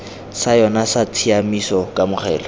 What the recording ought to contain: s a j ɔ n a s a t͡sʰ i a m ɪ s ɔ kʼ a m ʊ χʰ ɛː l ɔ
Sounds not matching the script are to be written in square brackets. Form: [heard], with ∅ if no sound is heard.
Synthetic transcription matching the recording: s a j ɔ n a s a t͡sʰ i a m [i] s ɔ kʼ a m ʊ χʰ ɛː l ɔ

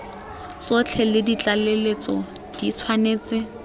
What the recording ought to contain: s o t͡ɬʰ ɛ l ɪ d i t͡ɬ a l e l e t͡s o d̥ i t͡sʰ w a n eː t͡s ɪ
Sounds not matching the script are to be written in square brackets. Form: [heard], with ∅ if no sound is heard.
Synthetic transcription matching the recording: s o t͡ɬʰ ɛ l ɪ d i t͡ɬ a l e l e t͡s [ɔ] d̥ i t͡sʰ w a n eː t͡s ɪ

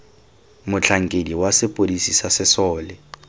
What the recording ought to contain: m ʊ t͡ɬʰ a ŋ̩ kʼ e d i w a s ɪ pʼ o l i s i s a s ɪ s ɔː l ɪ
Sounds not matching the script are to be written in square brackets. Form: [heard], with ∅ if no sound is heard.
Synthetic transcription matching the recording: m ʊ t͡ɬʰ a ŋ̩ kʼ e d i w a s ɪ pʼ o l i s i s a s ɪ s ɔː l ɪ

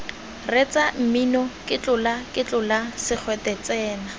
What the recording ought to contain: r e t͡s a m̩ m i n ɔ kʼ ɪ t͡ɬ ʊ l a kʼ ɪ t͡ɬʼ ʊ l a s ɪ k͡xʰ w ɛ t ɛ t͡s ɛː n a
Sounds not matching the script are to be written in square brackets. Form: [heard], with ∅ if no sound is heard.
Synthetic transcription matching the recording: r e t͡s a m̩ m i n ɔ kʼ ɪ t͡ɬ ʊ l a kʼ ɪ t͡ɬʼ ʊ l a s ɪ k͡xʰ w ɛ t ɛ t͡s ɛː n a

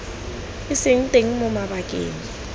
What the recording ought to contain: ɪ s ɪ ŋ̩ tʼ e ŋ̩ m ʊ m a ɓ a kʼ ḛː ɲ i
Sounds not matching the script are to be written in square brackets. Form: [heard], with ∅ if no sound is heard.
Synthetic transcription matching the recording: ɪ s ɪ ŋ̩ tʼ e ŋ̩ m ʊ m a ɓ a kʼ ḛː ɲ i

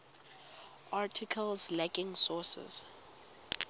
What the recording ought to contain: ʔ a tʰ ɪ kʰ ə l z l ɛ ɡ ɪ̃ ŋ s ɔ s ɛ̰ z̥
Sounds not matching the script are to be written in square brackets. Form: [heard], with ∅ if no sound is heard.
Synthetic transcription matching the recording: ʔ a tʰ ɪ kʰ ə l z l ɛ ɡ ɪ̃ ŋ s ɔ s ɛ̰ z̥

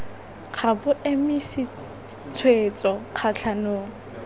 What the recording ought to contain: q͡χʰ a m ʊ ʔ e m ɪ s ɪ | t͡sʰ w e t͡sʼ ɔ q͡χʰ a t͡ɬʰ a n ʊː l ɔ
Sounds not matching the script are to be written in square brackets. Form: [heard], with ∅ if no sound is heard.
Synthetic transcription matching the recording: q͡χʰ a [b] ʊ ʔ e m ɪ s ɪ | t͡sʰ w e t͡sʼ ɔ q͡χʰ a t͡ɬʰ a n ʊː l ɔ

